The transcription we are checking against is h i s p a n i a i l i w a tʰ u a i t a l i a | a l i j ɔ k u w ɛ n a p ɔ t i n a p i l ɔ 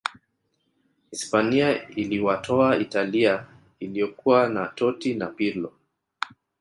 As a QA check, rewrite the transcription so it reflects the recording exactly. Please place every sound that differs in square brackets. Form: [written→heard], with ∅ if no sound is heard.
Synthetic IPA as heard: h i s p a n i a i l i w a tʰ [u→ɔ] a i t a l i a | [a→i] l i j ɔ k u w [ɛ→a] n a [p→t] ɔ t i n a p i l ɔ